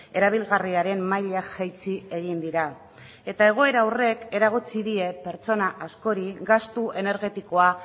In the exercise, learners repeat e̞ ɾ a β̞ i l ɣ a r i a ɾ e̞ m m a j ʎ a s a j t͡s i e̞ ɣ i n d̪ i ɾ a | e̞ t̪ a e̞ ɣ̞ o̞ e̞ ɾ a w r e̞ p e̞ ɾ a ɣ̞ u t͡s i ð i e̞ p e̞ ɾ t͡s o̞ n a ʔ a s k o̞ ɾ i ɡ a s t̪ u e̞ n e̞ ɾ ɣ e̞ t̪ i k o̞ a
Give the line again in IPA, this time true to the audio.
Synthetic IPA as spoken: e̞ ɾ a β̞ i l ɣ a r i a ɾ e̞ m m a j ʎ a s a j t͡s i e̞ ɣ i n d̪ i ɾ a | e̞ t̪ a e̞ ɣ̞ o̞ e̞ ɾ a w r e̞ k e̞ ɾ a ɣ̞ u t͡s i ð i e̞ p e̞ ɾ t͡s o̞ n a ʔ a s k o̞ ɾ i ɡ a s t̪ u e̞ n e̞ ɾ ɣ e̞ t̪ i k o̞ a